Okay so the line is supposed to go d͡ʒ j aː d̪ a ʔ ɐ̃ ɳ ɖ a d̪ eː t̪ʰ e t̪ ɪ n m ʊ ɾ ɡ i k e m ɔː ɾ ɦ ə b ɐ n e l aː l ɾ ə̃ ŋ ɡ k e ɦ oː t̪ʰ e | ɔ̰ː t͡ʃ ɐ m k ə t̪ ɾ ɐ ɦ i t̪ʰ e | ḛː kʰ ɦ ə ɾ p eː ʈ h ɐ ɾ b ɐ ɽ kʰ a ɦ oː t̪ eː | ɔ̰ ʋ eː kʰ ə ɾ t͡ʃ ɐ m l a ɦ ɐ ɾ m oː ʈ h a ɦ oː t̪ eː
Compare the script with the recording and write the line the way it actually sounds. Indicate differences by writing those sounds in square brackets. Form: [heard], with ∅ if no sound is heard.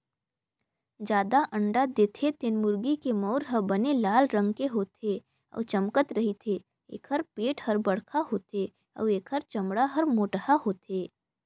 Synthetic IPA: d͡ʒ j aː d̪ a ʔ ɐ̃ ɳ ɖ a d̪ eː t̪ʰ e t̪ ɪ n m ʊ ɾ ɡ i k e m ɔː ɾ ɦ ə b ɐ n e l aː l ɾ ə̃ ŋ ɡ k e ɦ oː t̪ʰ e | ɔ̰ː t͡ʃ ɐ m k ə t̪ ɾ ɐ ɦ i t̪ʰ e | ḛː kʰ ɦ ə ɾ p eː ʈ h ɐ ɾ b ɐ ɽ kʰ a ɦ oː t̪ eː | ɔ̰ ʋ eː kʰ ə ɾ t͡ʃ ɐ m [ɽ] a ɦ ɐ ɾ m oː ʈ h a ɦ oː t̪ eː